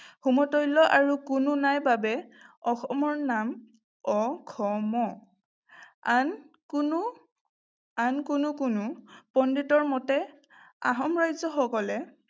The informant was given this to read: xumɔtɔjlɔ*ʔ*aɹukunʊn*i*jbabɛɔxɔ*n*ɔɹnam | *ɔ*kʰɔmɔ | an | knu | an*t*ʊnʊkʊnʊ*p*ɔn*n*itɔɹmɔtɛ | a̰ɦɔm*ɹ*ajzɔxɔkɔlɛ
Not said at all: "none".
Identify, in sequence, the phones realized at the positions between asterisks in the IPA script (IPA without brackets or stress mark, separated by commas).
ʔ, a, m, ɔ, k, p, d, ɹ